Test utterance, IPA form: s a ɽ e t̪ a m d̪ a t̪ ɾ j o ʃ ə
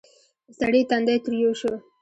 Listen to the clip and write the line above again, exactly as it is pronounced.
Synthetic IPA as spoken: s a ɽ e t̪ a n d̪ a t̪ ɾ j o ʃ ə